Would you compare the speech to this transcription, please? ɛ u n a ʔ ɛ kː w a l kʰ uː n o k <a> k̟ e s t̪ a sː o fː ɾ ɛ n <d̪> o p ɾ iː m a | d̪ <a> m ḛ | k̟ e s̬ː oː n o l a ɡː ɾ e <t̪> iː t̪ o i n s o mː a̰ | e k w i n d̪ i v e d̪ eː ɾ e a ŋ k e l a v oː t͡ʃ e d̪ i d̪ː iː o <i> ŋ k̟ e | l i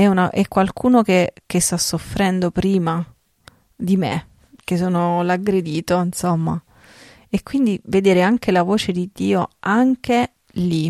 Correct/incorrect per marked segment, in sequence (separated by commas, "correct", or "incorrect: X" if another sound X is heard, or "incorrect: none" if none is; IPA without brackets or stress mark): incorrect: e, correct, incorrect: i, incorrect: d̪, incorrect: a